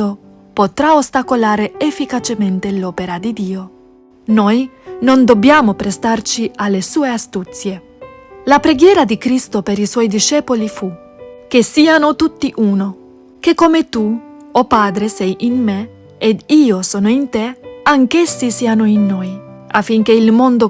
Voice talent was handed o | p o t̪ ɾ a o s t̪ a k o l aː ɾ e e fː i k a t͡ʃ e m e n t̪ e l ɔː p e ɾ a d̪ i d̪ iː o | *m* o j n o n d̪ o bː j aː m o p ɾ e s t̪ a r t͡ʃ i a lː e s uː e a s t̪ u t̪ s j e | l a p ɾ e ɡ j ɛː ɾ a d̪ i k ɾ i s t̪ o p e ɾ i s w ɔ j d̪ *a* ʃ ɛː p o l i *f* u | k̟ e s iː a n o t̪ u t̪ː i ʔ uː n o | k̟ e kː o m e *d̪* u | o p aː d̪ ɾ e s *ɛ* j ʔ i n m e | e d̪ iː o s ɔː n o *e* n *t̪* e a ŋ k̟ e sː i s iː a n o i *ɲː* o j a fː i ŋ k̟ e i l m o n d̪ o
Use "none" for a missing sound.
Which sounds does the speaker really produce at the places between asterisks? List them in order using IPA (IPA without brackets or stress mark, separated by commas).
n, i, f, t̪, ɛ, i, t̪, nː